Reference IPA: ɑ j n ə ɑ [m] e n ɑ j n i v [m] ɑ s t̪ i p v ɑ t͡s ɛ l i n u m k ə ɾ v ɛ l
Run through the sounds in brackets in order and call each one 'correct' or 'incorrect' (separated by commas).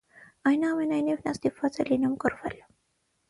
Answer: correct, incorrect